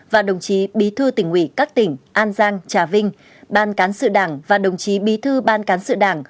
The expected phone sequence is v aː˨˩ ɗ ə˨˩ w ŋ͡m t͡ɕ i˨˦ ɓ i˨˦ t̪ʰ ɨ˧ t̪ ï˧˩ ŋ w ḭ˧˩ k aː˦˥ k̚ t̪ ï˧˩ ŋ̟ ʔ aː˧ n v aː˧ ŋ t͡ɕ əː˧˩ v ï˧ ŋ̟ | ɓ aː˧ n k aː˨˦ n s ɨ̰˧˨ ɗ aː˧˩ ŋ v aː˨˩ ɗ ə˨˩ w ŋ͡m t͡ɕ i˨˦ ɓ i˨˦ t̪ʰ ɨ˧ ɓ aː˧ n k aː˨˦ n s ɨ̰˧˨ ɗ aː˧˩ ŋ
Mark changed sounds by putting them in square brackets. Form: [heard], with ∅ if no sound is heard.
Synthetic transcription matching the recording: v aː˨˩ ɗ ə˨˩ w ŋ͡m t͡ɕ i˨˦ ɓ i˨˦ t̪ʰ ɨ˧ t̪ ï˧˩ ŋ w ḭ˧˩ k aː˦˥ k̚ t̪ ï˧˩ ŋ̟ ʔ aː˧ n [z] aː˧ ŋ t͡ɕ [aː˧˩] v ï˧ ŋ̟ | ɓ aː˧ n k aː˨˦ n s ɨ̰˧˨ ɗ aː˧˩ ŋ v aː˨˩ ɗ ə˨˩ w ŋ͡m t͡ɕ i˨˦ ɓ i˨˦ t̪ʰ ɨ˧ ɓ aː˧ n k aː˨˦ n s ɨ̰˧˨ ɗ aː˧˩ ŋ

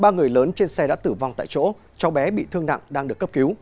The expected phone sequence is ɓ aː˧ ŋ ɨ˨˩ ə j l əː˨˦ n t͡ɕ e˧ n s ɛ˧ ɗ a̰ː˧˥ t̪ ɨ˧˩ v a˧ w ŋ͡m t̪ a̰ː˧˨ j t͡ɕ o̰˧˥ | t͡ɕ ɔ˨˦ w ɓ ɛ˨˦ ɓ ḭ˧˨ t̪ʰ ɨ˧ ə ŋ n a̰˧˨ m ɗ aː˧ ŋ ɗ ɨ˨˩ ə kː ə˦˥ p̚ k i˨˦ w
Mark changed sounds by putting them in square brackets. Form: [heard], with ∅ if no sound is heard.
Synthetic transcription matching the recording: ɓ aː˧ ŋ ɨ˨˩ ə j l əː˨˦ n t͡ɕ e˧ n s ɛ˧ ɗ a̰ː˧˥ t̪ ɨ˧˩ v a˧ w ŋ͡m t̪ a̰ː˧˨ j t͡ɕ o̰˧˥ | t͡ɕ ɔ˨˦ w ɓ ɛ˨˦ ɓ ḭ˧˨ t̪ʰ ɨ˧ ə ŋ n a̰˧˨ [ŋ] ɗ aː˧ ŋ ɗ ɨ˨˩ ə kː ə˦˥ p̚ k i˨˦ w

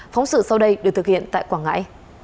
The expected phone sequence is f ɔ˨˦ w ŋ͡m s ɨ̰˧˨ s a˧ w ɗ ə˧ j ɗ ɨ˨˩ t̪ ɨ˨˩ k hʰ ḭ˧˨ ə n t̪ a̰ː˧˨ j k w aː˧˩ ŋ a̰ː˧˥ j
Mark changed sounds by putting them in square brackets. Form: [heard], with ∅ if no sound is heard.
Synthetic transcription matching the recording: f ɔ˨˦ w ŋ͡m s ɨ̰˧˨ s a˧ w ɗ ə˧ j ɗ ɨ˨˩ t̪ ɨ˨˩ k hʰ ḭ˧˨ ə n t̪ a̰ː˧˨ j k w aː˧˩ ŋ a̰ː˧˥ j

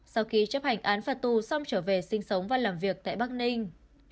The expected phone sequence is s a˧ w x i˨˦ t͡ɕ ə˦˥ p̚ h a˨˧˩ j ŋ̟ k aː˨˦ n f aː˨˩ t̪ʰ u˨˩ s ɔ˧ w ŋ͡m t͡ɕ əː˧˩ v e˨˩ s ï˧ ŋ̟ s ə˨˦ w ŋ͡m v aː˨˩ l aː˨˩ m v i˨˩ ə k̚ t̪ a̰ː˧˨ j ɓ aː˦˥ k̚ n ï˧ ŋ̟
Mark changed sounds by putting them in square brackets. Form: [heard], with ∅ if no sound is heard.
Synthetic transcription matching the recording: s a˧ w x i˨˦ t͡ɕ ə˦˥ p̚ h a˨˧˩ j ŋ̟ [ʔ] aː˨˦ n f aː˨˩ [t̪] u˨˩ s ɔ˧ w ŋ͡m t͡ɕ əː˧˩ v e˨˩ s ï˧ ŋ̟ s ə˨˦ w ŋ͡m v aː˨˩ l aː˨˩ m v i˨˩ ə k̚ t̪ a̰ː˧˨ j ɓ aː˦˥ k̚ n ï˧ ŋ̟

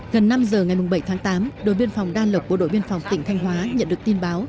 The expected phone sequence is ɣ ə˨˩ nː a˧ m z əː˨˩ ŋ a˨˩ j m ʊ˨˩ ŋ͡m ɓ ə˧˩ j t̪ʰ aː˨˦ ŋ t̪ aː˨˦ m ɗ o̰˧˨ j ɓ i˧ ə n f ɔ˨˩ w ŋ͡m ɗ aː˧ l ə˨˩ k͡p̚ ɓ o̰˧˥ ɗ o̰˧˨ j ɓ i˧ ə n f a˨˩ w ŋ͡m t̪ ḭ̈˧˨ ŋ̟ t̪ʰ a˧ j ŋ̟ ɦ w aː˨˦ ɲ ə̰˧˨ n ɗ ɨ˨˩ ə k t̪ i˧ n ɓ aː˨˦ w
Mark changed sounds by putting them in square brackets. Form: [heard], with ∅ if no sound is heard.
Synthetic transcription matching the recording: ɣ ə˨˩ nː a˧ m z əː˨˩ ŋ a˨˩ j m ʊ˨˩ ŋ͡m ɓ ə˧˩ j t̪ʰ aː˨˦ ŋ t̪ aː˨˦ m ɗ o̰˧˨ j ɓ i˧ ə n f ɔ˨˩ w ŋ͡m ɗ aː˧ l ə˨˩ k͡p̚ ɓ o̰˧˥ ɗ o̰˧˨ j ɓ i˧ ə n f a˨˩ w ŋ͡m t̪ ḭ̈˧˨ ŋ̟ t̪ʰ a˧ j ŋ̟ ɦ w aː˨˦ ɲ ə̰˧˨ n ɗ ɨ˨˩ ə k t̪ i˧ n ɓ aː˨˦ w

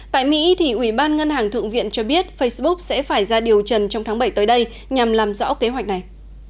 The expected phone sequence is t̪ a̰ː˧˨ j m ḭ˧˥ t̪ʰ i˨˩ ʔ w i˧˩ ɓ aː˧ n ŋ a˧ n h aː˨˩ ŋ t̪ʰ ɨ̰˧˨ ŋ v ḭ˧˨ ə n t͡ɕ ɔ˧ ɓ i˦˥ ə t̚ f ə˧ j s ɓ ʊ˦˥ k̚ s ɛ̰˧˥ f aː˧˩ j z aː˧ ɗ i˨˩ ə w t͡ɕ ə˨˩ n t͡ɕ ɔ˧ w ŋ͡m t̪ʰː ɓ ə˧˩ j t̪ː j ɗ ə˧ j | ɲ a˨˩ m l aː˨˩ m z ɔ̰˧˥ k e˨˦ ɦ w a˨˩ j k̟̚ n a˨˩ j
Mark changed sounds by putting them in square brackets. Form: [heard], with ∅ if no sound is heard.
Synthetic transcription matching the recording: t̪ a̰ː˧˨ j m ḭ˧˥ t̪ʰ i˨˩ ʔ w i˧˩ ɓ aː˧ n ŋ [ə˧] n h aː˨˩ ŋ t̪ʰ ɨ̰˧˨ ŋ v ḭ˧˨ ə n t͡ɕ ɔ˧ ɓ i˦˥ ə t̚ f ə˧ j s ɓ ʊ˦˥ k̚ s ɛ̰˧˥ f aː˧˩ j z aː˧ ɗ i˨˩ ə w t͡ɕ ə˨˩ n t͡ɕ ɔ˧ w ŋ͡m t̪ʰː ɓ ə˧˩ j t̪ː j ɗ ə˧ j | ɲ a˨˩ m l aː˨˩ m z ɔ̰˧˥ k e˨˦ ɦ w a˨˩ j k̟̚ n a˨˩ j

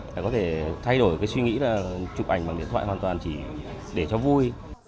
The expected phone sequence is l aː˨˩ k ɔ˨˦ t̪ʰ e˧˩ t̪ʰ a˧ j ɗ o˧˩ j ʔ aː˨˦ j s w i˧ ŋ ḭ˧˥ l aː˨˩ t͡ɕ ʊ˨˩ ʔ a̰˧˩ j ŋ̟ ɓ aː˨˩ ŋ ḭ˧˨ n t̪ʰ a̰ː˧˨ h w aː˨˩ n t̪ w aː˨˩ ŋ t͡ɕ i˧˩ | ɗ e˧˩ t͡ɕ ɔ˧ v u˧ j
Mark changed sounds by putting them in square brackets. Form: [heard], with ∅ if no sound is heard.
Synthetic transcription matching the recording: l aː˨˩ k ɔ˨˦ t̪ʰ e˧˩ t̪ʰ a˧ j ɗ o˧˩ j [k] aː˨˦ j s w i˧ ŋ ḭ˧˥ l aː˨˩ t͡ɕ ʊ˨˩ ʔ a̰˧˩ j ŋ̟ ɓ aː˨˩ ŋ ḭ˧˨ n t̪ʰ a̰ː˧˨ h w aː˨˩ n t̪ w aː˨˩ [n] t͡ɕ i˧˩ | ɗ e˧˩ t͡ɕ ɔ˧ v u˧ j

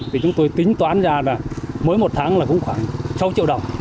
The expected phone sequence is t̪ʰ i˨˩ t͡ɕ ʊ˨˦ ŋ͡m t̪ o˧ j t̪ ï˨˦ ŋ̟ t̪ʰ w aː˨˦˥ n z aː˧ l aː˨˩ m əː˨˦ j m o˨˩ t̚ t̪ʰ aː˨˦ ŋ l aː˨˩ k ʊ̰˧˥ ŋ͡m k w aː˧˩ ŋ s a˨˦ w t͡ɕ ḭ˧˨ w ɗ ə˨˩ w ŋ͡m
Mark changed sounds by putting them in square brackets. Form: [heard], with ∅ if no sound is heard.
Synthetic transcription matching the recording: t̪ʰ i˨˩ t͡ɕ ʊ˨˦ ŋ͡m t̪ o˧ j t̪ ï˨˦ ŋ̟ [t̪] w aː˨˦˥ n z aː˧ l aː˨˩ m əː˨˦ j m o˨˩ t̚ t̪ʰ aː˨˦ ŋ l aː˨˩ k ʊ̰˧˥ ŋ͡m [x] w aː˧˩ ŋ s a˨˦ w t͡ɕ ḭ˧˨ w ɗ ə˨˩ w ŋ͡m

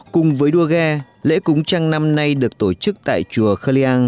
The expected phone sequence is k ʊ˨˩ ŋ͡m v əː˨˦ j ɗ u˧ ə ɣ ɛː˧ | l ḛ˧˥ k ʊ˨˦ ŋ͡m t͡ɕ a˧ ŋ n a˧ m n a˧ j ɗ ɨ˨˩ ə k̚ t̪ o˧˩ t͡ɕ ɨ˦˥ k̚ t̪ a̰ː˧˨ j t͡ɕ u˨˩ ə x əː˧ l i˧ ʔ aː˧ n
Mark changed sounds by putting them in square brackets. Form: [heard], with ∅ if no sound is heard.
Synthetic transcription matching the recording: k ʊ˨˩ ŋ͡m v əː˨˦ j ɗ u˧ ə ɣ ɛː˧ | l ḛ˧˥ k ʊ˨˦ ŋ͡m t͡ɕ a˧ ŋ n a˧ m n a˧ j ɗ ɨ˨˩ ə k̚ t̪ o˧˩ t͡ɕ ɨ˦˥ k̚ t̪ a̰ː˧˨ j t͡ɕ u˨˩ ə x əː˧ l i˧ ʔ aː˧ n

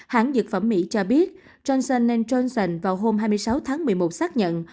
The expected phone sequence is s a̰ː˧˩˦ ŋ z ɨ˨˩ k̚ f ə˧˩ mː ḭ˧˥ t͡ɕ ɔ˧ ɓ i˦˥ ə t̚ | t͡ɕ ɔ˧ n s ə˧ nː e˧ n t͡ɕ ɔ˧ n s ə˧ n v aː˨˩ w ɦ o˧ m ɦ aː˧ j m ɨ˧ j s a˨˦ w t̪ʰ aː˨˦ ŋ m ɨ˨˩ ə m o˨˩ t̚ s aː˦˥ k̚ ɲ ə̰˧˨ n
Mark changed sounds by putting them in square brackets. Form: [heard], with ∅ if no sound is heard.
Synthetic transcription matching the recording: [h] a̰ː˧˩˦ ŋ z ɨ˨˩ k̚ f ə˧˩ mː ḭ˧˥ t͡ɕ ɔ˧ ɓ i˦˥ ə t̚ | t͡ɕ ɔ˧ n s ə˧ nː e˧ n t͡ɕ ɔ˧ n s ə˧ n v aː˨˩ w ɦ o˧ m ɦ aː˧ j m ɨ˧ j s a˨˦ w t̪ʰ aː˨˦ ŋ m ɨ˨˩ ə m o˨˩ t̚ s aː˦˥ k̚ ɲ ə̰˧˨ n

